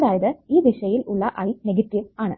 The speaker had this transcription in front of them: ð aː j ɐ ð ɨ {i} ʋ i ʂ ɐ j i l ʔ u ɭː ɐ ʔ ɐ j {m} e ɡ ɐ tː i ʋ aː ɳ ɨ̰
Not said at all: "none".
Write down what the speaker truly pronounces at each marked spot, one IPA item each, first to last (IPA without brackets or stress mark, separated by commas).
iː, n